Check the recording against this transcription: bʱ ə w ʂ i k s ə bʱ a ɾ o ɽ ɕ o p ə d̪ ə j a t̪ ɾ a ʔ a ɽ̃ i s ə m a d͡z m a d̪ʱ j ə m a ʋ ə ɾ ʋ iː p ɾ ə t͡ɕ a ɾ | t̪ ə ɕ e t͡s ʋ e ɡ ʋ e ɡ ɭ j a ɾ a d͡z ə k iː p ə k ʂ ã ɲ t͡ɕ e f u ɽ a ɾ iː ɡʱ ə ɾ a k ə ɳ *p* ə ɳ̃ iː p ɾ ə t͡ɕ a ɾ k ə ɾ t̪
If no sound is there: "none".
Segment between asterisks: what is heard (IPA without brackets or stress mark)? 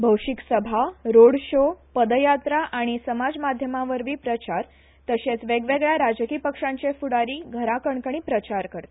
k